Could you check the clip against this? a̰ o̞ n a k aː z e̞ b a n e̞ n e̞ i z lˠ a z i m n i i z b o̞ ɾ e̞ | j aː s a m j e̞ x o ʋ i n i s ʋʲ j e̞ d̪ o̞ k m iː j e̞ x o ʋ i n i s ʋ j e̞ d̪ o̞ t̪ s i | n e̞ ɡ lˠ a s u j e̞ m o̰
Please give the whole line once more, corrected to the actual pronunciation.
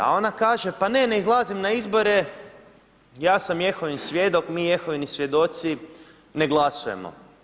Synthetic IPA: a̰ o̞ n a k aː ʒ e̞ p a n e̞ n e̞ i z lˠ a z i m n a i z b o̞ ɾ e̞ | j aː s a m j e̞ x o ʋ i n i s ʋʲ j e̞ d̪ o̞ k m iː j e̞ x o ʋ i n i s ʋ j e̞ d̪ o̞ t̪ s i | n e̞ ɡ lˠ a s u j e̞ m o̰

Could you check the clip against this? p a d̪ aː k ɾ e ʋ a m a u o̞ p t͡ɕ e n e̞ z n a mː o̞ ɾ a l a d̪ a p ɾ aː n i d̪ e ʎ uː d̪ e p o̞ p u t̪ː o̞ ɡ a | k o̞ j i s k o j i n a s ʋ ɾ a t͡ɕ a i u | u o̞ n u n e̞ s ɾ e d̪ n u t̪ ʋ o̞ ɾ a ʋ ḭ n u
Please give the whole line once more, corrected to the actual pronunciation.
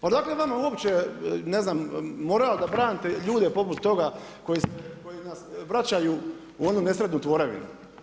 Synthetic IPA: p a d̪ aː k l e ʋ a m a u o̞ p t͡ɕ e n e̞ z n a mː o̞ ɾ a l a d̪ a b ɾ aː n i t̪ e ʎ uː d̪ e p o̞ p u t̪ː o̞ ɡ a | k o̞ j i s k o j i n a s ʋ ɾ a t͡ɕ a j u | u o̞ n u n e̞ s ɾ e d̪ n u t̪ ʋ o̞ ɾ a ʋ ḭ n u

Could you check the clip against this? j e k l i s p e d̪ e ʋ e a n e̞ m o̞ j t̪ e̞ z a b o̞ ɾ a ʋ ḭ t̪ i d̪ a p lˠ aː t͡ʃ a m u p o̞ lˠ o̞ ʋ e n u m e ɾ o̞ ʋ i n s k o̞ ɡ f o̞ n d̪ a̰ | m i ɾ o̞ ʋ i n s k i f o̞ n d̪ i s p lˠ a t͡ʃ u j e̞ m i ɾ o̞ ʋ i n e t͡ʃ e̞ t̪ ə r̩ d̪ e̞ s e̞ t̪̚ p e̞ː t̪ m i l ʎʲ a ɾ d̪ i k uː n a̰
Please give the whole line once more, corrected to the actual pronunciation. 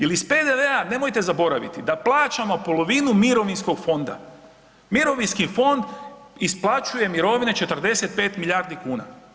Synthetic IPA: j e l i s p e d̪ e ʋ e a n e̞ m o̞ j t̪ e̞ z a b o̞ ɾ a ʋ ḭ t̪ i d̪ a p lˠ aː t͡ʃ a m o p o̞ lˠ o̞ ʋ i n u m i ɾ o̞ ʋ i n s k o̞ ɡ f o̞ n d̪ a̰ | m i ɾ o̞ ʋ i n s k i f o̞ n d̪ i s p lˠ a t͡ʃ u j e̞ m i ɾ o̞ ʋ i n e t͡ʃ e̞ t̪ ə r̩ d̪ e̞ s e̞ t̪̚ p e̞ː t̪ m i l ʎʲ a ɾ d̪ i k uː n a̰

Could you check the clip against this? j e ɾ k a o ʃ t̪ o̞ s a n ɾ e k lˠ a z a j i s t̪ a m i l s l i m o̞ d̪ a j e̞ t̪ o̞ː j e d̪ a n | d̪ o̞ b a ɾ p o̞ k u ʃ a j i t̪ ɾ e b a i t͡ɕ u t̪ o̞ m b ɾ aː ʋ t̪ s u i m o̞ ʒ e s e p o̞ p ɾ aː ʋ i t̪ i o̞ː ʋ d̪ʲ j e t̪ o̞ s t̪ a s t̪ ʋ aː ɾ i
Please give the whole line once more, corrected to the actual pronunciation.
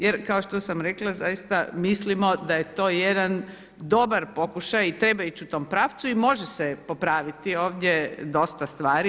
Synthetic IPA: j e ɾ k a o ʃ t̪ o̞ s a m ɾ e k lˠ a z a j i s t̪ a m i s l i m o̞ d̪ a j e̞ t̪ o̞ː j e d̪ a n | d̪ o̞ b a ɾ p o̞ k u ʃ a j i t̪ ɾ e b a i t͡ɕ u t̪ o̞ m p ɾ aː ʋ t̪ s u i m o̞ ʒ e s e p o̞ p ɾ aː ʋ i t̪ i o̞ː ʋ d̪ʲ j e d̪ o̞ s t̪ a s t̪ ʋ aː ɾ i

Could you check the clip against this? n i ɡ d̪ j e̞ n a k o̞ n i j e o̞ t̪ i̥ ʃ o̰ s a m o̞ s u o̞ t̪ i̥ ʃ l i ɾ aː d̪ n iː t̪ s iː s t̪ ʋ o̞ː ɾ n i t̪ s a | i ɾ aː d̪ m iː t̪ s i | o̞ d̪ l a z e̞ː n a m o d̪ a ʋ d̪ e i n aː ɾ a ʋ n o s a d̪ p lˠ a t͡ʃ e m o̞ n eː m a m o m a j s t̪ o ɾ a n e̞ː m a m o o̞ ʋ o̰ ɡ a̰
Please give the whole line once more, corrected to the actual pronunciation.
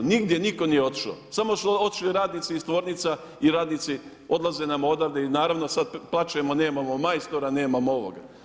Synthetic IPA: n i ɡ d̪ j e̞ n i k o̞ n i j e o̞ t̪ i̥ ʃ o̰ s a m o̞ s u o̞ t̪ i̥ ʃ l i ɾ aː d̪ n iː t̪ s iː s t̪ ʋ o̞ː ɾ n i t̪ s a | i ɾ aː d̪ n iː t̪ s i | o̞ d̪ l a z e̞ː n a m o d̪ a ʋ d̪ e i n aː ɾ a ʋ n o s a d̪ p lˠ a t͡ʃ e m o̞ n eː m a m o m a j s t̪ o ɾ a n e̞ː m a m o o̞ ʋ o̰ ɡ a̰

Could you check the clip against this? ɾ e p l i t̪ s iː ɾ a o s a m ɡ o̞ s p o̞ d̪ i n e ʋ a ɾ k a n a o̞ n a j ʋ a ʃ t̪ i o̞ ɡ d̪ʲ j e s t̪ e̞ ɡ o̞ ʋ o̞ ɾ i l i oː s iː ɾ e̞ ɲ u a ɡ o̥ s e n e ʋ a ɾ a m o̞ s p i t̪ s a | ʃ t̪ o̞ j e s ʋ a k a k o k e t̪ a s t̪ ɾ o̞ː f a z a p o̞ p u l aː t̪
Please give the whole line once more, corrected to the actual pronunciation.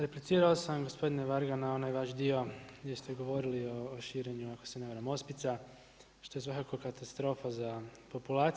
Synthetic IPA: ɾ e p l i t̪ s iː ɾ a o s a m ɡ o̞ s p o̞ d̪ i n e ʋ a ɾ ɡ a n a o̞ n a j ʋ a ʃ d̪ i o̞ ɡ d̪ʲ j e s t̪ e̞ ɡ o̞ ʋ o̞ ɾ i l i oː ʃ iː ɾ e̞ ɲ u a k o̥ s e n e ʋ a ɾ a m o̞ s p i t̪ s a | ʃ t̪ o̞ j e s ʋ a k a k o k a t̪ a s t̪ ɾ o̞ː f a z a p o̞ p u l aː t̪

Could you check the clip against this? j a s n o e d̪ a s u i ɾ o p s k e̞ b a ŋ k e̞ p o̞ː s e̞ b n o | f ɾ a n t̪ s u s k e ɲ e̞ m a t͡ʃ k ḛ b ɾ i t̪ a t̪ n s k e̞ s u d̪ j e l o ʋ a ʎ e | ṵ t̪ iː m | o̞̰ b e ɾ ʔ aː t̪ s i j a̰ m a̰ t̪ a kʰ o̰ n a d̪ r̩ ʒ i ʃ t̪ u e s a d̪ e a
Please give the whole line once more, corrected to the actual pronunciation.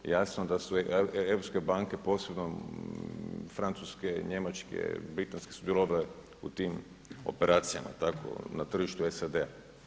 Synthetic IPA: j a s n o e d̪ a s u e ɾ o p s k e̞ b a ŋ k e̞ p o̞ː s e̞ b n o | f ɾ a n t̪ s u s k e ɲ e̞ m a t͡ʃ k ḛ b ɾ i t̪ a n s k e̞ s u d̪ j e l o ʋ a l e | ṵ t̪ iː m | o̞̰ p e ɾ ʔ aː t̪ s i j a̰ m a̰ t̪ a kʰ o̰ n a t̪ r̩ ʒ i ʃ t̪ u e s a d̪ e a

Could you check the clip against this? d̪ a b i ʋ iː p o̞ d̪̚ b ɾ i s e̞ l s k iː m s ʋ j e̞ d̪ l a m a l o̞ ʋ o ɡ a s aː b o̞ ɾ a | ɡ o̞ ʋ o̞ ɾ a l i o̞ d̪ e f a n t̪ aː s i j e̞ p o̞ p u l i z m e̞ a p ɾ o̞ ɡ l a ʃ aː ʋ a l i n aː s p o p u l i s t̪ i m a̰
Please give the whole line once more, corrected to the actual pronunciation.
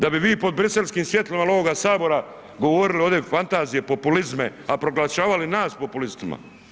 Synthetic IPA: d̪ a b i ʋ iː p o̞ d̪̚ b ɾ i s e̞ l s k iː m s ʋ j e̞ t̪ l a m a l o̞ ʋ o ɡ a s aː b o̞ ɾ a | ɡ o̞ ʋ o̞ ɾ i l i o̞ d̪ e f a n t̪ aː z i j e̞ p o̞ p u l i z m e̞ a p ɾ o̞ ɡ l a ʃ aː ʋ a l i n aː s p o p u l i s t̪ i m a̰

